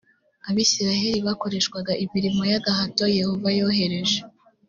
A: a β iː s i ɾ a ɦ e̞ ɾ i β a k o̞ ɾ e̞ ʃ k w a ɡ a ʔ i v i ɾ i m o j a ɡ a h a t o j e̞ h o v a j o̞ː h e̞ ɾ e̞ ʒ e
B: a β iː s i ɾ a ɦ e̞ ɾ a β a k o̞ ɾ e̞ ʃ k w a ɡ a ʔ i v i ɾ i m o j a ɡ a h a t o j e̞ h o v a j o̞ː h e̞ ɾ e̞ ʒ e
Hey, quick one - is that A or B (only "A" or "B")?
A